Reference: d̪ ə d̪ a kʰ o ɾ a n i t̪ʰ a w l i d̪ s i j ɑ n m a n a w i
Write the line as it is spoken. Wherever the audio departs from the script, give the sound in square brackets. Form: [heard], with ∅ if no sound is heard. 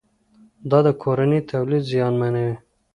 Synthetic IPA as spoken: d̪ [ɑ] d̪ [ə] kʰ o ɾ a n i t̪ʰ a w l i d̪ [z] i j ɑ n m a n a w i